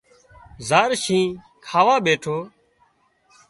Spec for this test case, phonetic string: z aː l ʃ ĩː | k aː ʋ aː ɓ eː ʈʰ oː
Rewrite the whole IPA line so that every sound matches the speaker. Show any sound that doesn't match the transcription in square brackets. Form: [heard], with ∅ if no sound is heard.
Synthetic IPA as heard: z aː [ɾ] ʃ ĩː | [kʰ] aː ʋ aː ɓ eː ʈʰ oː